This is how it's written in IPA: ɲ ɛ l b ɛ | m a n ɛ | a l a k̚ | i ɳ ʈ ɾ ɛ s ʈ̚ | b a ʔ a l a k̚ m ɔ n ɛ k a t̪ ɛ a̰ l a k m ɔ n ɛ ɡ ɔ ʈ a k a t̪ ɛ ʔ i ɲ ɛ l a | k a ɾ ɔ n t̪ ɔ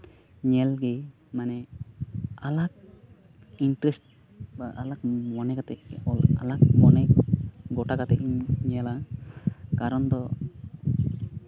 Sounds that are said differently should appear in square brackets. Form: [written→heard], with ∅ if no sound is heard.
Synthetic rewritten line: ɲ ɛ l [b→ɡ] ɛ | m a n ɛ | a l a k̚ | i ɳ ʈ ɾ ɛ s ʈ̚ | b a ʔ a l a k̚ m ɔ n ɛ k a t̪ ɛ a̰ l a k m ɔ n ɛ ɡ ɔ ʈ a k a t̪ ɛ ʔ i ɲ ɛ l a | k a ɾ ɔ n [t̪→d̪] ɔ